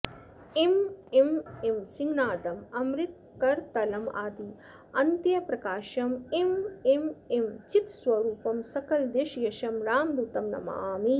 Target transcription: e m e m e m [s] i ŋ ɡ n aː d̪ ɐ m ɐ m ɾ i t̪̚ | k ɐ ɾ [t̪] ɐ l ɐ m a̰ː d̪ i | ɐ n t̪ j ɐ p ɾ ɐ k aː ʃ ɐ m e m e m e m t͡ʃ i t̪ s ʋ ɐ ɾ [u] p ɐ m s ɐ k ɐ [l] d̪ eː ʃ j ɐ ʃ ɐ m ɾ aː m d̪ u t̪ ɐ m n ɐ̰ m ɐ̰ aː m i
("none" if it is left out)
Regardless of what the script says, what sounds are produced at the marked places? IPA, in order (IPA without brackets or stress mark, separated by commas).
s, t̪, uː, l